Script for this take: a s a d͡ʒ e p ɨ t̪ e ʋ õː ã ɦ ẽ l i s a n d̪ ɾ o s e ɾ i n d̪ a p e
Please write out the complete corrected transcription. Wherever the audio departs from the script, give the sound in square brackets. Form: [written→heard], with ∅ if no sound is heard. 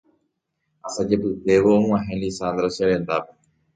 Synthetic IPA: a s a d͡ʒ e p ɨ t̪ e ʋ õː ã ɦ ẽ l i s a n d̪ ɾ o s e ɾ [i→e] n d̪ a p e